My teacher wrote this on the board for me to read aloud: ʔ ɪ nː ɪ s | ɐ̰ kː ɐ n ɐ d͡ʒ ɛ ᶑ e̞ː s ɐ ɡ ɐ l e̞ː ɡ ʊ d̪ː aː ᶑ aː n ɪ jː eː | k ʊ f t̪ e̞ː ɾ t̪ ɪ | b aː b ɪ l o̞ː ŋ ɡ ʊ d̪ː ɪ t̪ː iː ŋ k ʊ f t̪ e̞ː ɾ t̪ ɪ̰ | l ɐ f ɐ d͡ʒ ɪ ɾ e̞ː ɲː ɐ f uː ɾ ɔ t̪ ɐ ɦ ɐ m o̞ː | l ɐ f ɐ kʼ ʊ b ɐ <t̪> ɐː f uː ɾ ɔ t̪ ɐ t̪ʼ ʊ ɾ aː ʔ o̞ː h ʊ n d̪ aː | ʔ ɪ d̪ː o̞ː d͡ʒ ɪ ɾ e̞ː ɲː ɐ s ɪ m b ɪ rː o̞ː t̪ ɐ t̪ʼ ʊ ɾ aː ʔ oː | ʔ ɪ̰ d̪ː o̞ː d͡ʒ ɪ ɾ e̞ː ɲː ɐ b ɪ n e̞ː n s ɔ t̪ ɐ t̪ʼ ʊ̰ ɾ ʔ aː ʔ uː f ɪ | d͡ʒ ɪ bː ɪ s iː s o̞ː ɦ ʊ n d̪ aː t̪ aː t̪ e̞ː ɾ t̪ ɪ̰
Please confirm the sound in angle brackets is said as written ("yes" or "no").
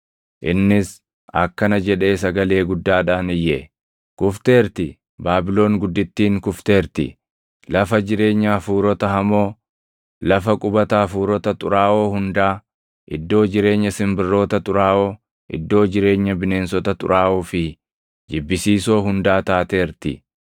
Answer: yes